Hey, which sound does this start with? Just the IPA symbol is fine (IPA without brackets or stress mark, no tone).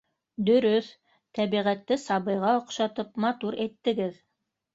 d̪